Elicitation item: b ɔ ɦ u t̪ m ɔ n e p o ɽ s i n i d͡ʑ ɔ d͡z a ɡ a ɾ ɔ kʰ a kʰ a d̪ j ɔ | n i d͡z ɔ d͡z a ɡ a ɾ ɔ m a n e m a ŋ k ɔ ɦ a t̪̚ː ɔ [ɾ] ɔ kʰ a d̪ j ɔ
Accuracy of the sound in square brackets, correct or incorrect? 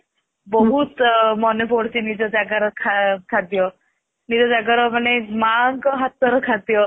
correct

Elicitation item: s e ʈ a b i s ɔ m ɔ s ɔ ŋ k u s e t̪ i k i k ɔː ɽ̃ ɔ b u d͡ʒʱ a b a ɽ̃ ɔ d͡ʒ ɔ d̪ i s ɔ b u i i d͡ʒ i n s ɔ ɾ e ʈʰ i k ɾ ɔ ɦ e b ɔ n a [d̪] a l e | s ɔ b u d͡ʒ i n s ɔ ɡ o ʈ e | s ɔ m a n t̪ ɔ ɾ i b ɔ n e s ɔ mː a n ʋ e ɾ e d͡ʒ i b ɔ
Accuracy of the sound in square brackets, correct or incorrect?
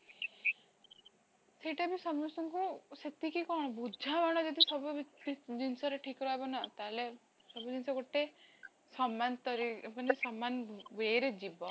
incorrect: t̪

